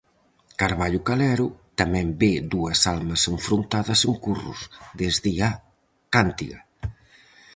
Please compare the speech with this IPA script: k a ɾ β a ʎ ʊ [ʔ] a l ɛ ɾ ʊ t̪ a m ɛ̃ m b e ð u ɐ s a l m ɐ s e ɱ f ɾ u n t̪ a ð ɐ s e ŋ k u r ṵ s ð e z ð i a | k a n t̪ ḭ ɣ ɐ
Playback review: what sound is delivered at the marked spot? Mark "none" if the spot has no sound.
k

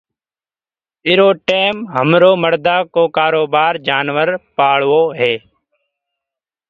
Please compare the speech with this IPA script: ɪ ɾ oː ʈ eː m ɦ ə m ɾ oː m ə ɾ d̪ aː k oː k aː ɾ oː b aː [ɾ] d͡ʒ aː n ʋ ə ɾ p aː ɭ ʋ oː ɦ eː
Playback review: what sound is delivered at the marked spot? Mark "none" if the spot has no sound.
ɾ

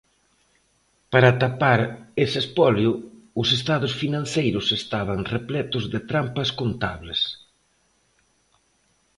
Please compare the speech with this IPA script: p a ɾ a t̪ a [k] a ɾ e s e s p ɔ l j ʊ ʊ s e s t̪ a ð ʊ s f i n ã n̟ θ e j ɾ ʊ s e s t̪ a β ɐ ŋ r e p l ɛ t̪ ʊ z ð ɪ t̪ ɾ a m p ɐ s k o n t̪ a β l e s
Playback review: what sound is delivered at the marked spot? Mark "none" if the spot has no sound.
p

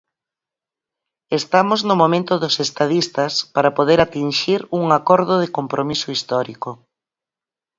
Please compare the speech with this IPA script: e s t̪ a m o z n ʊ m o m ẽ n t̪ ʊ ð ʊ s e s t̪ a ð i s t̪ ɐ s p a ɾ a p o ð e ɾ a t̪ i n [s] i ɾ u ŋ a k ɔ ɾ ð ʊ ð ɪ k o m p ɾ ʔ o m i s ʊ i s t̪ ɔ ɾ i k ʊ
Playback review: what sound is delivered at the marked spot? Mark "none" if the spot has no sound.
ʃ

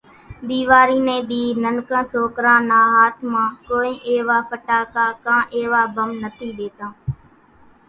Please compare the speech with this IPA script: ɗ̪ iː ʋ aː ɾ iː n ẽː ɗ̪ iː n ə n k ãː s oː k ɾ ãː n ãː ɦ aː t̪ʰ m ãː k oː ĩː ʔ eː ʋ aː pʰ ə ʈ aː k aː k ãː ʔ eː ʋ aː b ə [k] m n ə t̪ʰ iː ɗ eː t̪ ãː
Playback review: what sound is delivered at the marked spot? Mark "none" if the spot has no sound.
none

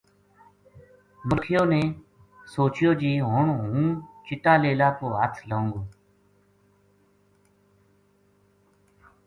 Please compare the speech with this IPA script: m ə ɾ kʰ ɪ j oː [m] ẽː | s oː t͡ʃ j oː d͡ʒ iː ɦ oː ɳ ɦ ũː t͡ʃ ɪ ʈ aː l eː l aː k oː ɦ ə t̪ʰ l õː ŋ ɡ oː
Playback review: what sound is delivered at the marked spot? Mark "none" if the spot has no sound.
n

